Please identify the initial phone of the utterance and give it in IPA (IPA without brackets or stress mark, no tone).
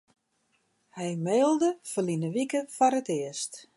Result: h